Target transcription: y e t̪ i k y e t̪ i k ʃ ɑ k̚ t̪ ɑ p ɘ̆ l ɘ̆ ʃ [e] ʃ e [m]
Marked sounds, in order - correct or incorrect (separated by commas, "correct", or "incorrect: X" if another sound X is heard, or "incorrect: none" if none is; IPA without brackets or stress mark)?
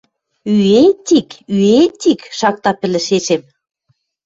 correct, correct